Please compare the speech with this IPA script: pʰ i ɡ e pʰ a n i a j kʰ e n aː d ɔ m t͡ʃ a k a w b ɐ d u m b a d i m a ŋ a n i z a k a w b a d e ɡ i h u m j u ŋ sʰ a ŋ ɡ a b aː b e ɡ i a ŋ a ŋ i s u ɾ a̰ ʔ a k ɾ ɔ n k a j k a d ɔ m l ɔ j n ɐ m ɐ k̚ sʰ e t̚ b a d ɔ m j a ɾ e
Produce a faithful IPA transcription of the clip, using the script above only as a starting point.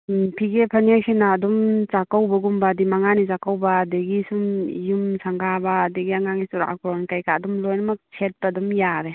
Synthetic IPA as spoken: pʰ i ɡ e pʰ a n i a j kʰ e n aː d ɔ m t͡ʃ a k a w b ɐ ɡ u m b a d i m a ŋ a n i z a k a w b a d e ɡ i s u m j u m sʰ a ŋ ɡ a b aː d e ɡ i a ŋ a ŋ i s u ɾ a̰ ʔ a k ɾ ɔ n k a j k a d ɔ m l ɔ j n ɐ m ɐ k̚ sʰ e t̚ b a d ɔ m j a ɾ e